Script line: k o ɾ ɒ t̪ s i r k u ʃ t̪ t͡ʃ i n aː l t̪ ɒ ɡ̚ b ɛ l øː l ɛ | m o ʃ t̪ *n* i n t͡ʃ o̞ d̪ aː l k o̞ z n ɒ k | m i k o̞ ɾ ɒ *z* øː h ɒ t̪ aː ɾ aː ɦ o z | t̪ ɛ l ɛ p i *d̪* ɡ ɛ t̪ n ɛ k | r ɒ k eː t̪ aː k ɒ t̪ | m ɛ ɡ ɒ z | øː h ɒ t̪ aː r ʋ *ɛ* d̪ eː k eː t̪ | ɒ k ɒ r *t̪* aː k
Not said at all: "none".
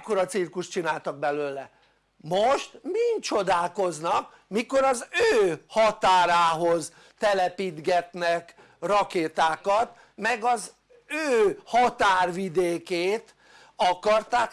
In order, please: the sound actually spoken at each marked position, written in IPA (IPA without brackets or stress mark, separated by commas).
m, z, d̪, i, t̪